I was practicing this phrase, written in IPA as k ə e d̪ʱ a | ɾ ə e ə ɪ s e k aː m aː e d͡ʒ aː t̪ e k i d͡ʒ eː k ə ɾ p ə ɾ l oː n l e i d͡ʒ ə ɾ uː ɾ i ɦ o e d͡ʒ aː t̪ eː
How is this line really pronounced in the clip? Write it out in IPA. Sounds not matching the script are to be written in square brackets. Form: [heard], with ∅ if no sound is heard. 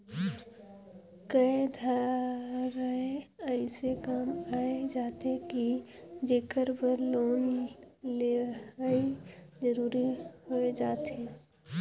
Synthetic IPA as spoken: k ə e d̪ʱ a | ɾ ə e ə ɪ s e k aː m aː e d͡ʒ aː t̪ e k i d͡ʒ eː k ə ɾ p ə ɾ l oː n l e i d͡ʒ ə ɾ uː ɾ i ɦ o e d͡ʒ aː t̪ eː

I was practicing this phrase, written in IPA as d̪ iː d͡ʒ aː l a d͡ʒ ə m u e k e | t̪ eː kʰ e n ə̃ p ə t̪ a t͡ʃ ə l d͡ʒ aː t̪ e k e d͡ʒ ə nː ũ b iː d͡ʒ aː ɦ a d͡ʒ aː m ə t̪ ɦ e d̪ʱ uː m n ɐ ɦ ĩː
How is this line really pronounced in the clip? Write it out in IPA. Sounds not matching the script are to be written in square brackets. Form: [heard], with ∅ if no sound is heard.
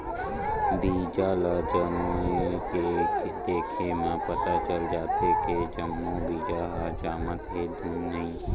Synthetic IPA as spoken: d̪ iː d͡ʒ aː l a d͡ʒ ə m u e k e | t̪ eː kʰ e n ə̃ p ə t̪ a t͡ʃ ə l d͡ʒ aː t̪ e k e d͡ʒ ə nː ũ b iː d͡ʒ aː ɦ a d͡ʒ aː m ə t̪ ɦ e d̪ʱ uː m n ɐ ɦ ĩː

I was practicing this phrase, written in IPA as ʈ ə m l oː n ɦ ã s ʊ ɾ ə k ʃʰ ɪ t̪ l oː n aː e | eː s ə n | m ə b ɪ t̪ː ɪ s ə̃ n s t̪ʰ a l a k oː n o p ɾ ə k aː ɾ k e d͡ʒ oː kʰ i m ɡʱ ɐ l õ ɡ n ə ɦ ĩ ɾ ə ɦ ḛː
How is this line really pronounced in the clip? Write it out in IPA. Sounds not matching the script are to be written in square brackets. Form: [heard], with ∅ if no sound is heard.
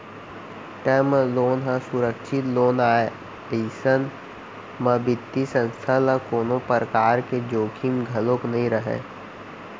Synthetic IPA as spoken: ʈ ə m l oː n ɦ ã s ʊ ɾ ə k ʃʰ ɪ t̪ l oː n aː e | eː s ə n | m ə b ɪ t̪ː [i] s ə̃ n s t̪ʰ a l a k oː n o p ɾ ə k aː ɾ k e d͡ʒ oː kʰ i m ɡʱ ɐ l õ [k] n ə ɦ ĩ ɾ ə ɦ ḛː

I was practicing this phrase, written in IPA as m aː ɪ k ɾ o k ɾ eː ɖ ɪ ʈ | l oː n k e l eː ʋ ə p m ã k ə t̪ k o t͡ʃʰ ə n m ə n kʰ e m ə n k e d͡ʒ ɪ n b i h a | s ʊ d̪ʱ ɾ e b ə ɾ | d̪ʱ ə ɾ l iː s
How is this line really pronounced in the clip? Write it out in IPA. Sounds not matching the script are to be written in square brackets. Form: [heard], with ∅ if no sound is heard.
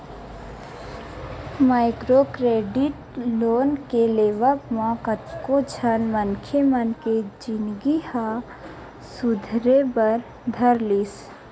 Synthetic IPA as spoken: m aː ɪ k ɾ o k ɾ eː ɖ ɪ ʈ | l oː n k e l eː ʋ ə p m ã k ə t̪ k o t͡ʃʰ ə n m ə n kʰ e m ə n k e d͡ʒ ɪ n [ɡ] i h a | s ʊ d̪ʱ ɾ e b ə ɾ | d̪ʱ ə ɾ l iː s

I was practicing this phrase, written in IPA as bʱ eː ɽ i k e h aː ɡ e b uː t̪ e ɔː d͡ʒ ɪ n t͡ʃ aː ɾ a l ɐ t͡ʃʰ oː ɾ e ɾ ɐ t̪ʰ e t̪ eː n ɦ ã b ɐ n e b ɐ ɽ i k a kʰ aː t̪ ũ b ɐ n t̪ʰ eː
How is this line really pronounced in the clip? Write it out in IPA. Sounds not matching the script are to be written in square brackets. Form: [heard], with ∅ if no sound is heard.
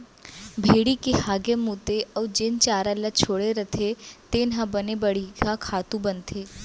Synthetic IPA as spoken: bʱ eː ɽ i k e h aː ɡ e [m] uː t̪ e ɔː d͡ʒ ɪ n t͡ʃ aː ɾ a l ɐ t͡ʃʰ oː [ɽ] e ɾ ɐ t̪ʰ e t̪ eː n ɦ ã b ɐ n e b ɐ ɽ i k a kʰ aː t̪ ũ b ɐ n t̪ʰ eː

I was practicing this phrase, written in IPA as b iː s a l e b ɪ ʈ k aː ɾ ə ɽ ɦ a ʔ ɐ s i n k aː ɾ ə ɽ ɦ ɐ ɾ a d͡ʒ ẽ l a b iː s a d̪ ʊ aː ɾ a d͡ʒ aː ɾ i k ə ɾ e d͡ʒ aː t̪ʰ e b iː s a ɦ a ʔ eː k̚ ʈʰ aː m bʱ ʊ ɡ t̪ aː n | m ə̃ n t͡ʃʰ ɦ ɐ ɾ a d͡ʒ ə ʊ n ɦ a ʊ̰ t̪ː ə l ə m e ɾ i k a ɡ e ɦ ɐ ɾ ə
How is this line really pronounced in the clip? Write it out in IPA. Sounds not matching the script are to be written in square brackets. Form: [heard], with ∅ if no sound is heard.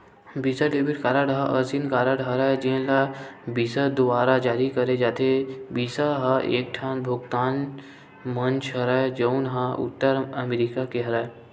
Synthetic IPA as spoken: b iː s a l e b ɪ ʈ k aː ɾ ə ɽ ɦ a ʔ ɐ s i n k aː ɾ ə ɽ ɦ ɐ ɾ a d͡ʒ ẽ l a b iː s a d̪ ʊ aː ɾ a d͡ʒ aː ɾ i k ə ɾ e d͡ʒ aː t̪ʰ e b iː s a ɦ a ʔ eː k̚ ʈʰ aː [n] bʱ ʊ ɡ t̪ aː n | m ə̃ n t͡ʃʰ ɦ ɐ ɾ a d͡ʒ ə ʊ n ɦ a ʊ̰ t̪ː ə [ɾ] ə m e ɾ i k a [k] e ɦ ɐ ɾ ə

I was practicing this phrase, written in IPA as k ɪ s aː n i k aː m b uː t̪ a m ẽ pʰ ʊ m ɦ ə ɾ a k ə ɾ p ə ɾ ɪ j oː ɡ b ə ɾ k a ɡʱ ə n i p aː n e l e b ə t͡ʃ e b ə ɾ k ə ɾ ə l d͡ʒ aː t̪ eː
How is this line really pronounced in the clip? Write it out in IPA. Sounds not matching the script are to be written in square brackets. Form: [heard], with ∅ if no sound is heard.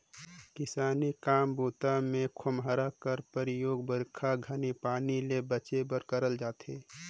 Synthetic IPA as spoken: k ɪ s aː n i k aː m b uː t̪ a m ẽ [kʰ] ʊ m ɦ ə ɾ a k ə ɾ p ə ɾ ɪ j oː ɡ b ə ɾ [kʰ] a ɡʱ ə n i p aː n [i] l e b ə t͡ʃ e b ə ɾ k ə ɾ ə l d͡ʒ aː t̪ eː

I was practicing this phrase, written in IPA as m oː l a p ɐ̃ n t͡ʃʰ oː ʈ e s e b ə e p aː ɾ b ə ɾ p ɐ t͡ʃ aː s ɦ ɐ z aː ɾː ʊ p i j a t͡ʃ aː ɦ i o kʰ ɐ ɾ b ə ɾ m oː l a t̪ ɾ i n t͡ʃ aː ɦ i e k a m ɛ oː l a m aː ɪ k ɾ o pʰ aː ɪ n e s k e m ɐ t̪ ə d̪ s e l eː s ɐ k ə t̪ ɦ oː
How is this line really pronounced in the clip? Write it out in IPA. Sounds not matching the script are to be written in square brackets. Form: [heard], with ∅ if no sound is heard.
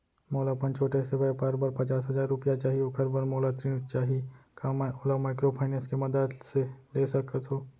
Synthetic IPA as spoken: m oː l a p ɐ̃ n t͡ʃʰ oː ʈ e s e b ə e p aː ɾ b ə ɾ p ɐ t͡ʃ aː s ɦ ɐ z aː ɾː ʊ p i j a t͡ʃ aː ɦ i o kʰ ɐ ɾ b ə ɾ m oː l a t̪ ɾ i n t͡ʃ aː ɦ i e k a m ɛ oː l a m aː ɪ k ɾ o pʰ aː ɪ n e s k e m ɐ [d̪] ə d̪ s e l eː s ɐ k ə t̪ ɦ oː

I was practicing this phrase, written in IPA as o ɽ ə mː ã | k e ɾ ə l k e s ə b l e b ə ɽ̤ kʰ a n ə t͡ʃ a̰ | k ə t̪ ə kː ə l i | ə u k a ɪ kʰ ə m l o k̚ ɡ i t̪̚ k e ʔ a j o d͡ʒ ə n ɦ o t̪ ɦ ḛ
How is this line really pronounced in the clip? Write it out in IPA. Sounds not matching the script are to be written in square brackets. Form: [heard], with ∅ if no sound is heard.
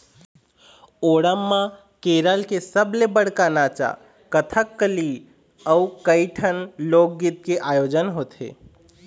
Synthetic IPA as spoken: o ɽ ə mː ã | k e ɾ ə l k e s ə b l e b ə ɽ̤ [k] a n [a] t͡ʃ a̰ | k ə [t̪ʰ] ə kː ə l i | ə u k [ə] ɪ [ʈʰ] ə [n] l o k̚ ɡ i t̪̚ k e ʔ a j o d͡ʒ ə n ɦ o t̪ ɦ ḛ

